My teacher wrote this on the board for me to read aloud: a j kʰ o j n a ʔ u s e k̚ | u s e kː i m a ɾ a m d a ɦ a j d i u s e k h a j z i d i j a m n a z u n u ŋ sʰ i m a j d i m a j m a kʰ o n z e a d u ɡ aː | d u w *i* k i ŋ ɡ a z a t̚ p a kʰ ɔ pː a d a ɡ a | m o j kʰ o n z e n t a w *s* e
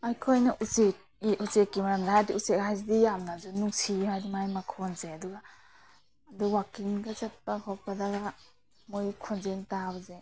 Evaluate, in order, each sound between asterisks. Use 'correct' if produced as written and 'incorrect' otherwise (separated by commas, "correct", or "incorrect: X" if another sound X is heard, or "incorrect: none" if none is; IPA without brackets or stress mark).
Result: incorrect: a, incorrect: z